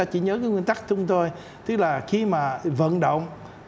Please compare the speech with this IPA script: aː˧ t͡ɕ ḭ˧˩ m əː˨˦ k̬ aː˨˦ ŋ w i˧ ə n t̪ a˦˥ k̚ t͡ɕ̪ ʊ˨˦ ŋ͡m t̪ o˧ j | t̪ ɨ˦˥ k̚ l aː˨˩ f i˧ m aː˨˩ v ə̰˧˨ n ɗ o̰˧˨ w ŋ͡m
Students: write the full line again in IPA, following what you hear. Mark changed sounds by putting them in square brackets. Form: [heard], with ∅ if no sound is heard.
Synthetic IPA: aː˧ t͡ɕ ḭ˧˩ [ɲ] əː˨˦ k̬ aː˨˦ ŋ w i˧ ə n t̪ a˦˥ k̚ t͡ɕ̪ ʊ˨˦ ŋ͡m t̪ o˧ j | t̪ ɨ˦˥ k̚ l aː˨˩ [x] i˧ m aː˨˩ v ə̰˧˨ n ɗ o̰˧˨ w ŋ͡m